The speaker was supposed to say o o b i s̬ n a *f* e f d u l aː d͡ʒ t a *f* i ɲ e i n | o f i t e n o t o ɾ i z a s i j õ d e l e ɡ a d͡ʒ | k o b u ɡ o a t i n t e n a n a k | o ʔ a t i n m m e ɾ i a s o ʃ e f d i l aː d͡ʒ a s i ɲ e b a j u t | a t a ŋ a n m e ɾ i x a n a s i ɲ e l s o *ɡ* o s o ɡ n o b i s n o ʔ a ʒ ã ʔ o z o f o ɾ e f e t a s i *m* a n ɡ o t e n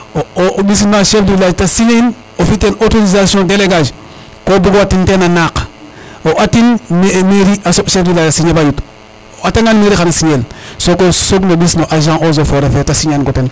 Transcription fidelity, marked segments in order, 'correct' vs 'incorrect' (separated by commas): incorrect, incorrect, incorrect, incorrect